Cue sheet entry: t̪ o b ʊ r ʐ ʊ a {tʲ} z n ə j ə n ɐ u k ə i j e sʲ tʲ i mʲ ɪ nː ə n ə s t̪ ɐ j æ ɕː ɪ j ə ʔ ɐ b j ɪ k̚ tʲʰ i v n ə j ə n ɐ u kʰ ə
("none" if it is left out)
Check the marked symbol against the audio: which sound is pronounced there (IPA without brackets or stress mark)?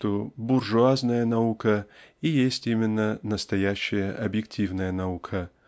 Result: none